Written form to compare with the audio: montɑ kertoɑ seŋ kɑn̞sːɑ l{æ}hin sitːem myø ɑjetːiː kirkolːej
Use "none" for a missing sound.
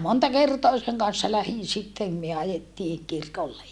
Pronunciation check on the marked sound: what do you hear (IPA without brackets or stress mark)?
æ